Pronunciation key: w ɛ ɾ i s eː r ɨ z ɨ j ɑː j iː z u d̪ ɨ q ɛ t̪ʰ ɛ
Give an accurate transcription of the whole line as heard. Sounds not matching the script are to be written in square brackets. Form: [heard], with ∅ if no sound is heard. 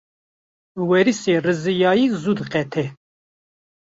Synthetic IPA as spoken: w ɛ ɾ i s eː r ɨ z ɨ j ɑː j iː z u d̪ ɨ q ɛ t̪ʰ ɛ